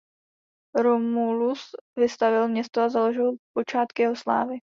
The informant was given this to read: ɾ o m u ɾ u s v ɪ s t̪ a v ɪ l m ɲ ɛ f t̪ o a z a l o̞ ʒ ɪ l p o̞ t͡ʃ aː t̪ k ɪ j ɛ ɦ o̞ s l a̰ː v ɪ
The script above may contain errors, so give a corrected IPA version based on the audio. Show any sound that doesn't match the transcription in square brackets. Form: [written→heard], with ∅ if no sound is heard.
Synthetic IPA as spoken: ɾ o m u [ɾ→l] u s v ɪ s t̪ a v ɪ l m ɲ ɛ [f→s] t̪ o a z a l o̞ ʒ ɪ l p o̞ t͡ʃ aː t̪ k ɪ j ɛ ɦ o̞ s l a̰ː v ɪ